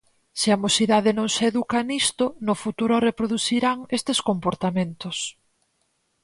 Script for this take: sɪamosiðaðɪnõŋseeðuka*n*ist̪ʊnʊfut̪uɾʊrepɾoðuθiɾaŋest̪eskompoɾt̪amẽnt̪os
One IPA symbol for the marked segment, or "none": n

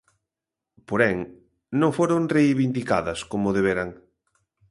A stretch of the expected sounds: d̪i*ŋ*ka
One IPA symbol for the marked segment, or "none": none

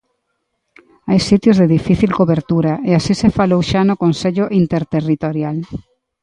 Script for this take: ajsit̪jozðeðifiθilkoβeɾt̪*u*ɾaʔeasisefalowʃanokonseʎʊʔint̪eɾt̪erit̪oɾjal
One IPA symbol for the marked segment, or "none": u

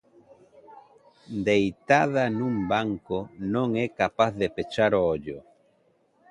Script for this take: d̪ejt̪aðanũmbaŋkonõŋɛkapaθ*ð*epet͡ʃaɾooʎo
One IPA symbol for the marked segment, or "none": ð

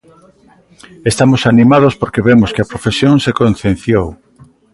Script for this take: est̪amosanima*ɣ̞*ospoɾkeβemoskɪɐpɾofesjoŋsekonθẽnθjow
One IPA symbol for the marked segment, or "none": ð̞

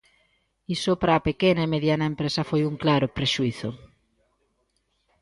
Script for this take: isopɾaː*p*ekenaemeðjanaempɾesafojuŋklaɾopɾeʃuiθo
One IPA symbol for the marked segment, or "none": p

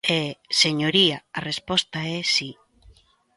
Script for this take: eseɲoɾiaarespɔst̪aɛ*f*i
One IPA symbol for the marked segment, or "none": s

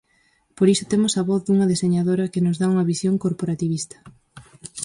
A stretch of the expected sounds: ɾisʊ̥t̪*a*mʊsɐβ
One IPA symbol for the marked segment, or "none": e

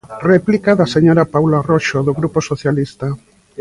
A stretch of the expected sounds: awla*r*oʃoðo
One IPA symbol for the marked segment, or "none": r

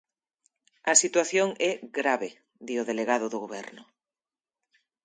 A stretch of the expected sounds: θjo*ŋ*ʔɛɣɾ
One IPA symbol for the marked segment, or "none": ŋ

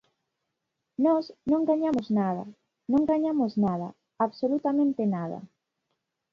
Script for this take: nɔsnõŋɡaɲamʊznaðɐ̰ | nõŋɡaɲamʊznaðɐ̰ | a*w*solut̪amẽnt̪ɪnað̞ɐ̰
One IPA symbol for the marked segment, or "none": β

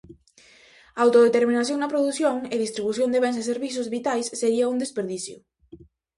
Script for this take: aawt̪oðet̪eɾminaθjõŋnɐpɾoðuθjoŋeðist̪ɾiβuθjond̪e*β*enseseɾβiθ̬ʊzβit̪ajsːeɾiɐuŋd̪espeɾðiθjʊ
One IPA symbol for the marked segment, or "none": β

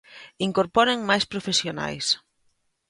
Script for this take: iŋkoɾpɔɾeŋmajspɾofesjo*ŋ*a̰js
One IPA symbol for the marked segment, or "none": n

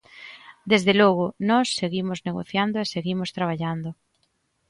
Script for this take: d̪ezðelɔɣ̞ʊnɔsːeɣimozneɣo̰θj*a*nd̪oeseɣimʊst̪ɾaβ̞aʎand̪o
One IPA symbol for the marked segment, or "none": a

